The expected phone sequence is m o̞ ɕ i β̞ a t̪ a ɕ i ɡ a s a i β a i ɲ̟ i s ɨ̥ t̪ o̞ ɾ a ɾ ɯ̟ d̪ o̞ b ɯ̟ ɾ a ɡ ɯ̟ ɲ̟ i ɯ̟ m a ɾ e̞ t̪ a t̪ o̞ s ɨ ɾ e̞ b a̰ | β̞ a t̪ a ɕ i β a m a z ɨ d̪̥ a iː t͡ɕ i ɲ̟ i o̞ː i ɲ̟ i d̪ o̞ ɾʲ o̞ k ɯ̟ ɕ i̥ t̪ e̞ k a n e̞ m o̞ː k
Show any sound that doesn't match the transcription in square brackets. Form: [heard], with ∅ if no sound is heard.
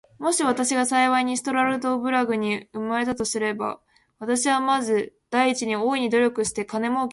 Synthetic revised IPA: m o̞ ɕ i β̞ a t̪ a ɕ i ɡ a s a i β a i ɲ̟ i s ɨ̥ t̪ o̞ ɾ a ɾ ɯ̟ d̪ o̞ b ɯ̟ ɾ a ɡ ɯ̟ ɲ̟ i ɯ̟ m a ɾ e̞ t̪ a t̪ o̞ s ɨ ɾ e̞ b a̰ | β̞ a t̪ a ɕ i β a m a z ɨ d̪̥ a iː t͡ɕ i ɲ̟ i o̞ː i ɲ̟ i d̪ o̞ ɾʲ o̞ k ɯ̟ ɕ i̥ t̪ e̞ k a n e̞ m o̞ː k

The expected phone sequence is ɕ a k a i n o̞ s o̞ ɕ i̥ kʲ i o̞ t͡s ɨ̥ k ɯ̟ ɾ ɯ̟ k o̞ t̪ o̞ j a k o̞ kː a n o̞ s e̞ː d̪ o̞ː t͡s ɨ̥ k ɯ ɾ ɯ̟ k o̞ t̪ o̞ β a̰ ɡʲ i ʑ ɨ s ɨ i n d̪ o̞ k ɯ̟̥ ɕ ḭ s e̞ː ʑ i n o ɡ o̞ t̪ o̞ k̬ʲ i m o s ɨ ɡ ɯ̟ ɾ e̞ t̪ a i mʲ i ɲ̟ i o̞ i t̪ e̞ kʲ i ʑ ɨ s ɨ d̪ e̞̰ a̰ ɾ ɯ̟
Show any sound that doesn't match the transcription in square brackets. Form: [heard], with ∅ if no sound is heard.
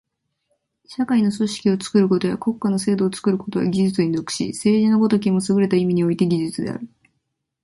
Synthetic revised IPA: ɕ a k a i n o̞ s o̞ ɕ i̥ kʲ i o̞ t͡s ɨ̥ k ɯ̟ ɾ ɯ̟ k o̞ t̪ o̞ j a k o̞ kː a n o̞ s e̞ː d̪ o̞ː t͡s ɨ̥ k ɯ ɾ ɯ̟ k o̞ t̪ o̞ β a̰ ɡʲ i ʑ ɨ [t͡s] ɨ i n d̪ o̞ k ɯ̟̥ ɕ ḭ s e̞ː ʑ i n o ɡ o̞ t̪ o̞ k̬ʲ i m o s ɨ ɡ ɯ̟ ɾ e̞ t̪ a i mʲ i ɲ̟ i o̞ i t̪ e̞ [ɡʲ] i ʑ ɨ [t͡s] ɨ d̪ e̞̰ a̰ ɾ ɯ̟

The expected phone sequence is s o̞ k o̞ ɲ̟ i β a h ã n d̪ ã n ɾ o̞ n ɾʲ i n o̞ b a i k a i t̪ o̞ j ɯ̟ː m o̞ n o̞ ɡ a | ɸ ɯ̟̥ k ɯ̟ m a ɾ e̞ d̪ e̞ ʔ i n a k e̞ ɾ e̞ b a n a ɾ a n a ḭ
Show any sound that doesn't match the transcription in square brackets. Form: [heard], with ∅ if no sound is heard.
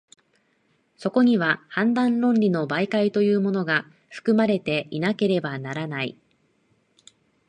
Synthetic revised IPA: s o̞ k o̞ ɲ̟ i β a h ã n d̪ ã n ɾ [õ̞] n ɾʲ i n o̞ b a i k a i t̪ o̞ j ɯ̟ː m o̞ n o̞ ɡ a | ɸ ɯ̟̥ k ɯ̟ m a ɾ e̞ [t̪] e̞ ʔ i n a k e̞ ɾ e̞ b a n a ɾ a n a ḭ

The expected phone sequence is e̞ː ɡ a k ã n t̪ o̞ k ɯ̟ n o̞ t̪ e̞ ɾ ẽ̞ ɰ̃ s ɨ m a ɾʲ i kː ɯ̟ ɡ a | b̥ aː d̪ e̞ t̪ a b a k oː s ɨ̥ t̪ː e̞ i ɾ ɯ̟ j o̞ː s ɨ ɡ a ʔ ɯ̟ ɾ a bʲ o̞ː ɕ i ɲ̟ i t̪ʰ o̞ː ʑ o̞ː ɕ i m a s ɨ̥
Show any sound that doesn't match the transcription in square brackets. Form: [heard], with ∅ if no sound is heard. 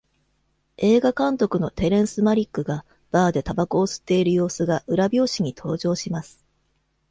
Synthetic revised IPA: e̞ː ɡ a k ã n t̪ o̞ k ɯ̟ n o̞ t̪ e̞ ɾ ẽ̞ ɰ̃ s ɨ m a ɾʲ i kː ɯ̟ ɡ a | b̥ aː d̪ e̞ t̪ a b a k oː s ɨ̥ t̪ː e̞ i ɾ ɯ̟ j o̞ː s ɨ ɡ a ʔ ɯ̟ ɾ a bʲ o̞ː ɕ i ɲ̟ i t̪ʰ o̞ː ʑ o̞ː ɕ i m a s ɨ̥

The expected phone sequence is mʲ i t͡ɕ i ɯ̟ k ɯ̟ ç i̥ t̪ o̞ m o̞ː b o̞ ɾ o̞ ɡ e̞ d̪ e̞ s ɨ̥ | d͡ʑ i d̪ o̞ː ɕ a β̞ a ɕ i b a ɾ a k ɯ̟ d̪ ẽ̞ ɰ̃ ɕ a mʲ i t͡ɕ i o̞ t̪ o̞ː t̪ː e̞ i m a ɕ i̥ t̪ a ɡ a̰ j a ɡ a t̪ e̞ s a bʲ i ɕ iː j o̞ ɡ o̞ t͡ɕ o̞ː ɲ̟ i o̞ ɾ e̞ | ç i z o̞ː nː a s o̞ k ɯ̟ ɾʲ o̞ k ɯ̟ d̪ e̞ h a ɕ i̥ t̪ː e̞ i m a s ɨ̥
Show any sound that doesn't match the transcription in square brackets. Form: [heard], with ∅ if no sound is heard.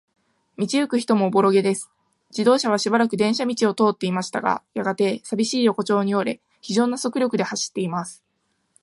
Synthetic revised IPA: mʲ i t͡ɕ i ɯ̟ k ɯ̟ ç i̥ t̪ o̞ m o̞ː b o̞ ɾ o̞ ɡ e̞ d̪ e̞ s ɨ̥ | d͡ʑ i d̪ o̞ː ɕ a β̞ a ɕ i b a ɾ a k ɯ̟ d̪ ẽ̞ ɰ̃ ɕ a mʲ i t͡ɕ i o̞ t̪ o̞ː t̪ː e̞ i m a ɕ i̥ t̪ a ɡ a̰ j a ɡ a t̪ e̞ s a bʲ i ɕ iː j o̞ [k] o̞ t͡ɕ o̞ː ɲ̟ i o̞ ɾ e̞ | ç i [ʑ] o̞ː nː a s o̞ k ɯ̟ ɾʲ o̞ k ɯ̟ d̪ e̞ h a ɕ i̥ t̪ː e̞ i m a s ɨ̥

